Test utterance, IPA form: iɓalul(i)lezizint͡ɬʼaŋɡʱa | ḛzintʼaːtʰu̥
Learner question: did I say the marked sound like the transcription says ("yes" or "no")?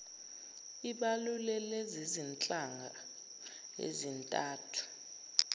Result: no